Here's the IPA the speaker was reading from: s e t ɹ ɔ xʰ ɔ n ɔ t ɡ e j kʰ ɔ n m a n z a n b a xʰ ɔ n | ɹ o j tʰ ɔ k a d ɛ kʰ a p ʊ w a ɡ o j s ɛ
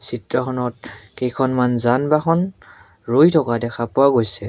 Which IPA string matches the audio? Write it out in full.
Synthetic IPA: s i t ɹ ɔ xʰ ɔ n ɔ t k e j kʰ ɔ n m a n z a n b a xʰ ɔ n | ɹ o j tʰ ɔ k a d ɛ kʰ a p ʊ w a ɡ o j s ɛ